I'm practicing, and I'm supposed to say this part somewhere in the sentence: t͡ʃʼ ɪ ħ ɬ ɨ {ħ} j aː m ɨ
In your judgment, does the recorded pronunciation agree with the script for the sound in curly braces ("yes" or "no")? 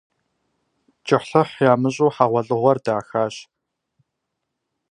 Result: yes